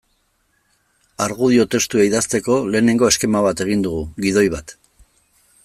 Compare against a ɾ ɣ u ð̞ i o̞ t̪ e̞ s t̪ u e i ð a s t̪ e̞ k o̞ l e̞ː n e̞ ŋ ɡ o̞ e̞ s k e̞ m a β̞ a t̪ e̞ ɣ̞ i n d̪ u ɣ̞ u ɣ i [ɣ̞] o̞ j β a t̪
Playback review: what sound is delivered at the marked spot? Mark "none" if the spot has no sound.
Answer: ð̞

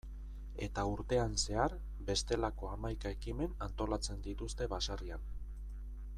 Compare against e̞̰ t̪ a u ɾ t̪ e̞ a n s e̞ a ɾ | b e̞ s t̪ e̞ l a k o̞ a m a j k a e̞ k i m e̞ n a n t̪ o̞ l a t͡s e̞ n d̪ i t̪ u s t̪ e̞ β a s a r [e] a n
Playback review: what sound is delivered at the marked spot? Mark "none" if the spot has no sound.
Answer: i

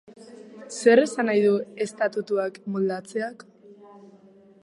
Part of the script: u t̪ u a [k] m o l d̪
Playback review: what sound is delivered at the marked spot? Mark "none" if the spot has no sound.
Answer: k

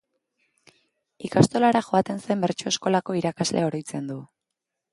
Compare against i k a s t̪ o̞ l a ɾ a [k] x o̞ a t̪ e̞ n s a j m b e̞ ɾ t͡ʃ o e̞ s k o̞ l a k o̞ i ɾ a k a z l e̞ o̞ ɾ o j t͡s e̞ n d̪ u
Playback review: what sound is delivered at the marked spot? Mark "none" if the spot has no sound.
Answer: none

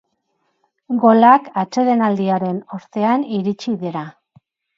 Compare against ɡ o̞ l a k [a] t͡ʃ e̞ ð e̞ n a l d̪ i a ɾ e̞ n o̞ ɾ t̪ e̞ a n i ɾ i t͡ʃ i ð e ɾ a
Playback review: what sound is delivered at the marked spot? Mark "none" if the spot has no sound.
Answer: a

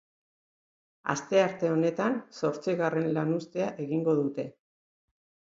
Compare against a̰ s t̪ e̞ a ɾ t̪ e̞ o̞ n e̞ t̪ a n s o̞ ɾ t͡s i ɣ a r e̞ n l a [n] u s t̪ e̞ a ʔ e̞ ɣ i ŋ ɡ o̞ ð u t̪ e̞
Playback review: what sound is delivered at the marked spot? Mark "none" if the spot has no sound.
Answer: n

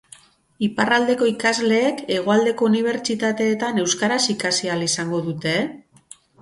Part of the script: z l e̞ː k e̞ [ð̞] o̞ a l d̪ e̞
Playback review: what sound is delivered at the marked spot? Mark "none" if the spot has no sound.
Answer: ɣ̞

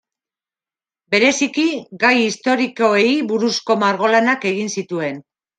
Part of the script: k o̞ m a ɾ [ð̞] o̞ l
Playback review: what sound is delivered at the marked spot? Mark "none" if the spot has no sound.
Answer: ɣ̞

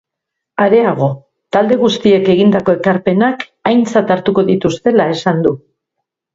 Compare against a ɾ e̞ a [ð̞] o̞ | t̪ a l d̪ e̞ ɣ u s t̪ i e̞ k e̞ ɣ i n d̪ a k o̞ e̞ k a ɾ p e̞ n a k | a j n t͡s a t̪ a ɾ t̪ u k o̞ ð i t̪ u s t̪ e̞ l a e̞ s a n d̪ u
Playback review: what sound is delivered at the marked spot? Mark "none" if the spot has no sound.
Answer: ɣ̞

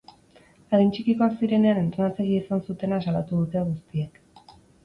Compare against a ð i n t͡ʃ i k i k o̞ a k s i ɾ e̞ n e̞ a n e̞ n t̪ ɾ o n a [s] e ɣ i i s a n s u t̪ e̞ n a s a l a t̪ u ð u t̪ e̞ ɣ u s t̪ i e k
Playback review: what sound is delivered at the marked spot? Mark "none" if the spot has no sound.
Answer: t͡s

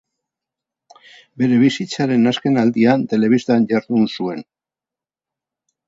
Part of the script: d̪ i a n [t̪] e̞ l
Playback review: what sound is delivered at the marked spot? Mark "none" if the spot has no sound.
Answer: t̪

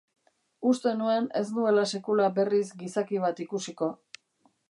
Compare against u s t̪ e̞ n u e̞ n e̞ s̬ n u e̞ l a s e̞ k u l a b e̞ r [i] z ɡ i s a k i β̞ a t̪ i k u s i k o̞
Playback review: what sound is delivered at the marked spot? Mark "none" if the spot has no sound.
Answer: i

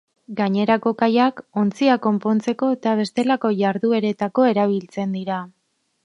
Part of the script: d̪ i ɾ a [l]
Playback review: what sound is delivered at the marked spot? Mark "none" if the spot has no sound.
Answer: none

